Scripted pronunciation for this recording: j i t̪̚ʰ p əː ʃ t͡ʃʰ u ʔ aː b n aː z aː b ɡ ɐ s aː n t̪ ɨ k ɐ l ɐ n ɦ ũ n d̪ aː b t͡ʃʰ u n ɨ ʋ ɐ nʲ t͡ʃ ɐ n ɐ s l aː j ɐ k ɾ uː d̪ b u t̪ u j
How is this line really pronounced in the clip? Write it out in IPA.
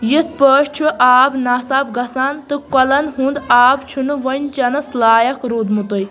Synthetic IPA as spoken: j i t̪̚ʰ p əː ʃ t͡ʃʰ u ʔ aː b n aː s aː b ɡ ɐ s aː n t̪ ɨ k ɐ l ɐ n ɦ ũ n d̪ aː b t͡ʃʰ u n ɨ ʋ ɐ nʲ t͡ʃ ɐ n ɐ s l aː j ɐ k ɾ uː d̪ m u t̪ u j